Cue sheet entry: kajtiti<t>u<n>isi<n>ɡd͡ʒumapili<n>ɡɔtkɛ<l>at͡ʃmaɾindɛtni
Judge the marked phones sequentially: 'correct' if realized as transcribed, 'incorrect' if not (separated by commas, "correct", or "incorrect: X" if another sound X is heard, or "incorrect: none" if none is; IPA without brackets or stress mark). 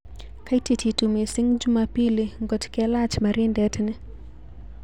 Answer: correct, incorrect: m, incorrect: ŋ, incorrect: ŋ, correct